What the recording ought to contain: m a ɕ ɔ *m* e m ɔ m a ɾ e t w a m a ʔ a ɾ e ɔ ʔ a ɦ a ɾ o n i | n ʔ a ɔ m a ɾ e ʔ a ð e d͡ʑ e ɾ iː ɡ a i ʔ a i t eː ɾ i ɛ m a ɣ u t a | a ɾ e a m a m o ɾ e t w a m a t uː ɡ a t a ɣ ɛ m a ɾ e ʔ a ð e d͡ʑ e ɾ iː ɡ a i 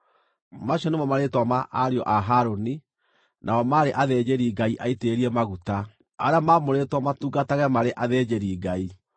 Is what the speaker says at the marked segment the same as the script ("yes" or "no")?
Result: no